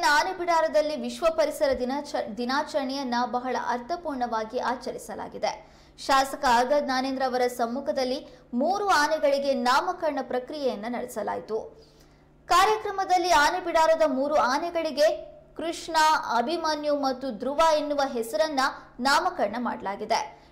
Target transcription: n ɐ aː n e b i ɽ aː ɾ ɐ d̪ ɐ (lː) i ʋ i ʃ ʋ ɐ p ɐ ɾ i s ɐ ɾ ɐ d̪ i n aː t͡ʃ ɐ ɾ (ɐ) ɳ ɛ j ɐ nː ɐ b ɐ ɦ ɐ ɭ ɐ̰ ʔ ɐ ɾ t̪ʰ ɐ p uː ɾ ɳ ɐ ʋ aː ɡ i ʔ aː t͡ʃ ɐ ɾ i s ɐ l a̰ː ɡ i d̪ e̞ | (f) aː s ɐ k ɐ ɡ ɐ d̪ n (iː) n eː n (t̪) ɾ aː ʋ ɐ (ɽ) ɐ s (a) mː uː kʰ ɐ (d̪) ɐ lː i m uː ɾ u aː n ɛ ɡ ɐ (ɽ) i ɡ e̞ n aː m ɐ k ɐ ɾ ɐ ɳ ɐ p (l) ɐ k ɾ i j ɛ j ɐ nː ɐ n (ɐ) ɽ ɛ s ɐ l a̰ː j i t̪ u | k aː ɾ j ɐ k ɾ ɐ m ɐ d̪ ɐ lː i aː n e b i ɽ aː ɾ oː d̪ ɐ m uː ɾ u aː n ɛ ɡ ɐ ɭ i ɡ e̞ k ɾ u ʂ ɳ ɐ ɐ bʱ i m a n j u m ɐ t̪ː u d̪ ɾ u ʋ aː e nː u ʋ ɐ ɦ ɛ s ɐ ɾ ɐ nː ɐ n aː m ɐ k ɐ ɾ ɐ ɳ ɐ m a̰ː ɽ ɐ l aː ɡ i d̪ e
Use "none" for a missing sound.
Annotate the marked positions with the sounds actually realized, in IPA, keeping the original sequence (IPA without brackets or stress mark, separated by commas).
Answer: lː, ɐ, ʃ, aː, d̪, ɾ, ɐ, d̪, ɭ, ɾ, ɐ